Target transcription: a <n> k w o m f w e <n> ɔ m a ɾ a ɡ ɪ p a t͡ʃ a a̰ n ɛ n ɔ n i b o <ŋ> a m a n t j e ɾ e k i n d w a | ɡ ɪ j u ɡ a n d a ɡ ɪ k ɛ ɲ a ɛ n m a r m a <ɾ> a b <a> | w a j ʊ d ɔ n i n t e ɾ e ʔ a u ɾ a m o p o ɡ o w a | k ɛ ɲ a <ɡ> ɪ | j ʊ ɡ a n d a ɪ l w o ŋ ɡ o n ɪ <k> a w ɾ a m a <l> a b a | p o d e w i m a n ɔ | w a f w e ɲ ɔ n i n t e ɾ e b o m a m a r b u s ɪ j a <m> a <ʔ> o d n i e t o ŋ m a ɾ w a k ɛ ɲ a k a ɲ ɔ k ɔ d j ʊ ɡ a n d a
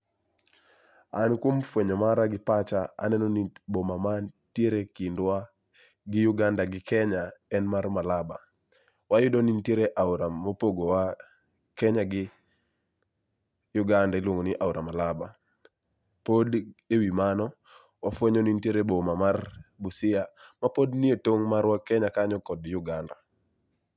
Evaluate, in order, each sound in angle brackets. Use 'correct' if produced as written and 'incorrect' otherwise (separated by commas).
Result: correct, incorrect, incorrect, incorrect, correct, correct, incorrect, correct, correct, incorrect